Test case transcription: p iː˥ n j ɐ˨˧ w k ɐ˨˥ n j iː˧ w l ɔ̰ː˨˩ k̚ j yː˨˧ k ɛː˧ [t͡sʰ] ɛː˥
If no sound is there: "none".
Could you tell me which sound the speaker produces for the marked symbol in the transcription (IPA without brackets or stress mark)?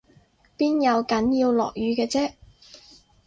t͡s